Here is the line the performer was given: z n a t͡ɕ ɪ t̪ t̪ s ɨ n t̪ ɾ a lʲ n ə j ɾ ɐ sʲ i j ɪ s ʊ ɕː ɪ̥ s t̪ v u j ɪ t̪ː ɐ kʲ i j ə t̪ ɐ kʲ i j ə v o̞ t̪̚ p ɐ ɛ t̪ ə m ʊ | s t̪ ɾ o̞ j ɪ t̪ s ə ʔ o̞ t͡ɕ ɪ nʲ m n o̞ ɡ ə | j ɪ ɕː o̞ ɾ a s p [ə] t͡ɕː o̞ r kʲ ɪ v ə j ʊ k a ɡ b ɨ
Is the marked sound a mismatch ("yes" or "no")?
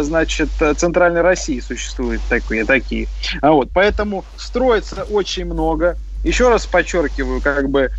yes